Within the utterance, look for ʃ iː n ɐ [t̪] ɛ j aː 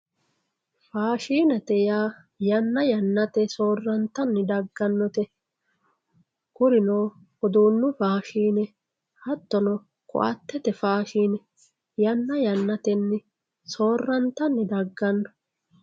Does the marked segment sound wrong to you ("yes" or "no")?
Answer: no